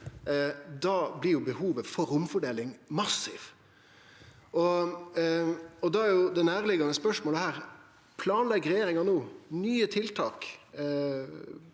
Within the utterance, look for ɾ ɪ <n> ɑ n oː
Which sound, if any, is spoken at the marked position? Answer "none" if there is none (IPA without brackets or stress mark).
ŋ